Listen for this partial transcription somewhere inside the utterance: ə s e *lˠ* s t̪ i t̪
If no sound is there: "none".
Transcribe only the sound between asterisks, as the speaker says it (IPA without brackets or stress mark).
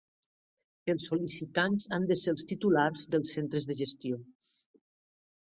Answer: lˠ